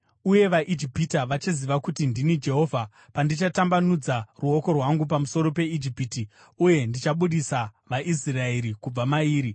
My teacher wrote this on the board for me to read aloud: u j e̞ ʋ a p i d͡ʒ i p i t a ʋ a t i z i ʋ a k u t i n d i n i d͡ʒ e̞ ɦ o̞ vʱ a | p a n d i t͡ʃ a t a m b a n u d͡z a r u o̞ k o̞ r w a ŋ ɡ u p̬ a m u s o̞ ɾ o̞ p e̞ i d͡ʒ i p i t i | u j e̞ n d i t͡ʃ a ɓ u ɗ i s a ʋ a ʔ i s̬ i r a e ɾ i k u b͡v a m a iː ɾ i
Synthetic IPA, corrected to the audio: u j e̞ ʋ a ʔ i d͡ʒ i p i t a ʋ a t͡ʃ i z i ʋ a k u t i n d i n i d͡ʒ e̞ ɦ o̞ vʱ a | p a n d i t͡ʃ a t a m b a n u d͡z a r u o̞ k o̞ r w a ŋ ɡ u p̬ a m u s o̞ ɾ o̞ p e̞ i d͡ʒ i p i t i | u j e̞ n d i t͡ʃ a ɓ u ɗ i s a ʋ a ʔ i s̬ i r a e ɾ i k u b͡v a m a iː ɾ i